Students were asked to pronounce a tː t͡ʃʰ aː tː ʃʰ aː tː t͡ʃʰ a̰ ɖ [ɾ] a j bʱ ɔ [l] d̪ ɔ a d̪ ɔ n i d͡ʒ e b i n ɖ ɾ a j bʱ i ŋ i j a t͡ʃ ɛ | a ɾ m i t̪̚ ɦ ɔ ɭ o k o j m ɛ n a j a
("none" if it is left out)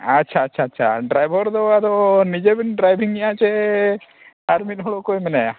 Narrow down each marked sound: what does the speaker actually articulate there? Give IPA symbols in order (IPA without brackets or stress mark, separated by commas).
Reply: ɾ, ɾ